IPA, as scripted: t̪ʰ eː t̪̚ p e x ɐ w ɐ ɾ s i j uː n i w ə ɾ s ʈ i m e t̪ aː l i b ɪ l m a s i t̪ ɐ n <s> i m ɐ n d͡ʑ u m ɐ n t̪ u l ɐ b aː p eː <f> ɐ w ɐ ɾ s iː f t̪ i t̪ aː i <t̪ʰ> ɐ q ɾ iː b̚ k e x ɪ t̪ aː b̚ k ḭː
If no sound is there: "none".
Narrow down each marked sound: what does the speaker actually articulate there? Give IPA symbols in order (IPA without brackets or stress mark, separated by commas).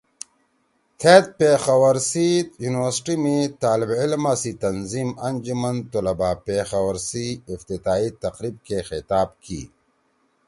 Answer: z, x, t̪